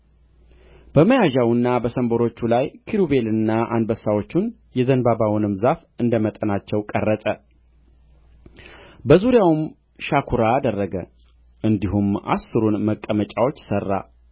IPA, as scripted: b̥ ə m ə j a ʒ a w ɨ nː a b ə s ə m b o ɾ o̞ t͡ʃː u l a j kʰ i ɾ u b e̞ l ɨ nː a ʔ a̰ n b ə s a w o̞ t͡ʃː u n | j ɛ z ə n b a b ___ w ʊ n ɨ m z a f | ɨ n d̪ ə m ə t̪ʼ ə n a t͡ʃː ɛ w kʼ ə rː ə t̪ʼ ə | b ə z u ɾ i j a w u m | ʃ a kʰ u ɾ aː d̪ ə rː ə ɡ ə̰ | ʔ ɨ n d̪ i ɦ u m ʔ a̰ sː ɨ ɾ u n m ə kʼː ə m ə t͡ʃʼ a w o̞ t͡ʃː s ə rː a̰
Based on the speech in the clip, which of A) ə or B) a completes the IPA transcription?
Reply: B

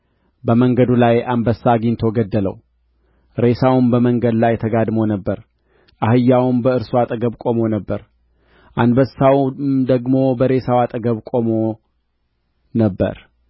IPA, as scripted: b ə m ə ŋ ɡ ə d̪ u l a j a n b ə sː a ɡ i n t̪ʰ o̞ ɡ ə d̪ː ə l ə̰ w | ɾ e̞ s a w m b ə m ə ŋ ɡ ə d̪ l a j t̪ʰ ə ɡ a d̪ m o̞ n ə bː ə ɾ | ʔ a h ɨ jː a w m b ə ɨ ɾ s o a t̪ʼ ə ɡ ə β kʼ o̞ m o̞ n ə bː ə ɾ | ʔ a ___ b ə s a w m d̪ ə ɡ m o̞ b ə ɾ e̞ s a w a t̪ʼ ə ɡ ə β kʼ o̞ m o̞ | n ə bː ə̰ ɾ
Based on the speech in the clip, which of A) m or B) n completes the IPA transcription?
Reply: B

